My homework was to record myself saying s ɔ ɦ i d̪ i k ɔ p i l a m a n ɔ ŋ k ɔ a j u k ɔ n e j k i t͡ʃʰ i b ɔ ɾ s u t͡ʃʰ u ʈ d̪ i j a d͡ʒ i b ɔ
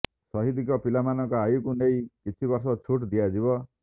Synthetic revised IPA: s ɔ ɦ i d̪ i k ɔ p i l a m a n ɔ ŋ k ɔ a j u k u n e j k i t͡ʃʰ i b ɔ ɾ s ɔ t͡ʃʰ u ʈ d̪ i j a d͡ʒ i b ɔ